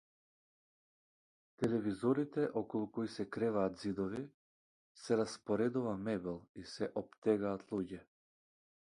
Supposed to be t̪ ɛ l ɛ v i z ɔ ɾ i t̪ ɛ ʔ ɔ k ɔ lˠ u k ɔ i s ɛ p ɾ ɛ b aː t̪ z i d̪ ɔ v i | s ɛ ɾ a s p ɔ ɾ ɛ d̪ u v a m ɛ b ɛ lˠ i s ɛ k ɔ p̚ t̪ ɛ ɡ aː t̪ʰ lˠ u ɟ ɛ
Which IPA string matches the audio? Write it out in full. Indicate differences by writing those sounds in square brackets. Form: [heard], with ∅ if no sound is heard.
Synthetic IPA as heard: t̪ ɛ l ɛ v i z ɔ ɾ i t̪ ɛ ʔ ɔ k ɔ lˠ u k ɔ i s ɛ [k] ɾ ɛ [v] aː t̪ z i d̪ ɔ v i | s ɛ ɾ a s p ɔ ɾ ɛ d̪ u v a m ɛ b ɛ lˠ i s ɛ [ʔ] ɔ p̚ t̪ ɛ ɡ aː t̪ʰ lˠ u ɟ ɛ